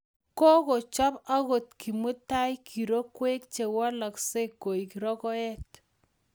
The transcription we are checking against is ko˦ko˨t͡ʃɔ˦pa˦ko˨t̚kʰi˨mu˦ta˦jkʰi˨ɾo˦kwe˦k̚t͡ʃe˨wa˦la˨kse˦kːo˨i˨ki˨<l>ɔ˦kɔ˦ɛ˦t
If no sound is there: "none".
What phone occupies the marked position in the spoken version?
ɾ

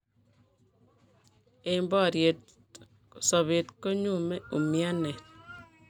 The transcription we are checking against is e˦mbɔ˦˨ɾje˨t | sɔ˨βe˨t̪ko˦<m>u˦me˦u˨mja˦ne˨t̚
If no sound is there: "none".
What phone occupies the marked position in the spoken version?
ɲ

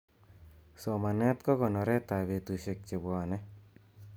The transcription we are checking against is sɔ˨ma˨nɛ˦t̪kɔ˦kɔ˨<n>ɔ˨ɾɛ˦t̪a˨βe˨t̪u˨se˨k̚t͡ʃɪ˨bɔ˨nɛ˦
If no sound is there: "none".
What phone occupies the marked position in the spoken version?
n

